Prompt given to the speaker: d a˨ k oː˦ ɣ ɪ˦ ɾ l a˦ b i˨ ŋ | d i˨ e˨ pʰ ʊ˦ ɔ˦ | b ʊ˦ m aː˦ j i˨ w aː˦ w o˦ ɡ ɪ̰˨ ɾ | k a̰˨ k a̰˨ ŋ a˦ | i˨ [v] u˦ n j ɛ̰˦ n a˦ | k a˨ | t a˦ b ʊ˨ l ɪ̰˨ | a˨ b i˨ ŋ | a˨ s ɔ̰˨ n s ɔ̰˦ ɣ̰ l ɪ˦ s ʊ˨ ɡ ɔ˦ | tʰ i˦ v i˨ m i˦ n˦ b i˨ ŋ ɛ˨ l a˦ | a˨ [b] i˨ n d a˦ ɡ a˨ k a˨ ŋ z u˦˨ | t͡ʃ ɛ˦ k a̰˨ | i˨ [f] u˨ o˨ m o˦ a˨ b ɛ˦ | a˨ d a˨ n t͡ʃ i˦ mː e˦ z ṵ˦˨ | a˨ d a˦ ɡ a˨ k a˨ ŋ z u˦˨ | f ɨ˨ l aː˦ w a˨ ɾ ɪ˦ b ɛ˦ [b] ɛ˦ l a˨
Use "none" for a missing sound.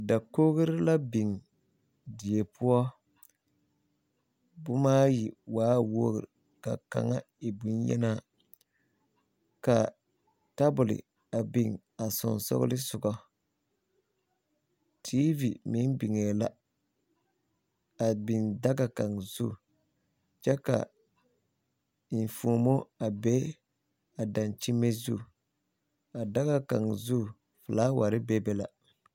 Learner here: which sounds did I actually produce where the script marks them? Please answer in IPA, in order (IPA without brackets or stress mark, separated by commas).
b, b, f, b